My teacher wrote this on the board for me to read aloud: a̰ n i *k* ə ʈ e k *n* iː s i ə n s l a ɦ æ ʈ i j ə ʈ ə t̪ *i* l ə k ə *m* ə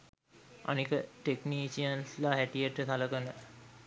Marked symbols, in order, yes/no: yes, yes, no, no

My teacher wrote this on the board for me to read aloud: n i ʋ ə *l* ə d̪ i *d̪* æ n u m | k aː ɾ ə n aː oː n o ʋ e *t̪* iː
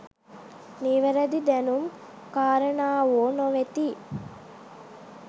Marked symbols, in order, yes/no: no, yes, yes

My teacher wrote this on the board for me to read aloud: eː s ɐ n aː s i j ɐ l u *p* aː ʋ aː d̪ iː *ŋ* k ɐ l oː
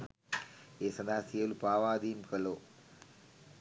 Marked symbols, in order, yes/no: yes, no

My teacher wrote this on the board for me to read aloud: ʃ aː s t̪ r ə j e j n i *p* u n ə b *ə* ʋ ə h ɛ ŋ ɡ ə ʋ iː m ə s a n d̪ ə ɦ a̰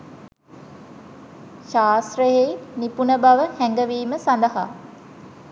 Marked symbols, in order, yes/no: yes, no

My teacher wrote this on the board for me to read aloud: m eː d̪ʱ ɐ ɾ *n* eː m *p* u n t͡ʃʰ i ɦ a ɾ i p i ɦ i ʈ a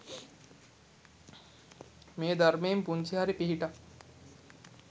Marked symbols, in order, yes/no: no, yes

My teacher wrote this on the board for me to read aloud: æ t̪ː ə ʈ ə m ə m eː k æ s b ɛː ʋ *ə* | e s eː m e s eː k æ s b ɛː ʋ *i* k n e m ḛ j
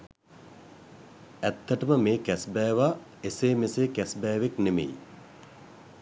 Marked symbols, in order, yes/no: no, no

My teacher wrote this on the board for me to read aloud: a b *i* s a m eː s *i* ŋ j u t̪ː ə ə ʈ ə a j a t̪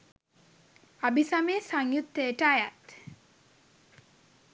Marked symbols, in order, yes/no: yes, no

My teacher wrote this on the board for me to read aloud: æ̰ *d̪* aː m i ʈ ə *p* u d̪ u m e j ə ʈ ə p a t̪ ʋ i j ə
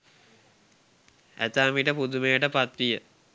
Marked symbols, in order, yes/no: no, yes

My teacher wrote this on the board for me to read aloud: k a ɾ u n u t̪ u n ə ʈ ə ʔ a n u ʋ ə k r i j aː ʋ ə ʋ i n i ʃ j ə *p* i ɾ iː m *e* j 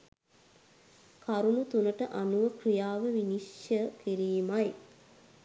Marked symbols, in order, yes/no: no, no

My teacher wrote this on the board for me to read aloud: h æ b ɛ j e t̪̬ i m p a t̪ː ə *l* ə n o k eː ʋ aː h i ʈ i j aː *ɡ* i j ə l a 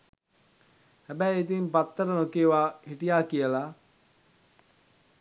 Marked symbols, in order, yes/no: no, no

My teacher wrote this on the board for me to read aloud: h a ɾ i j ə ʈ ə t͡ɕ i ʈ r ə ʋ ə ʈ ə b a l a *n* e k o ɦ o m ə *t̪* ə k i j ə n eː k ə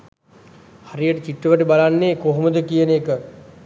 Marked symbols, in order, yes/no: no, no

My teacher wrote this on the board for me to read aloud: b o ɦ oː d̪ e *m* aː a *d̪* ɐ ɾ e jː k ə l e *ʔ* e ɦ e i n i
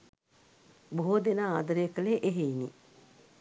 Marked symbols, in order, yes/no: no, yes, yes

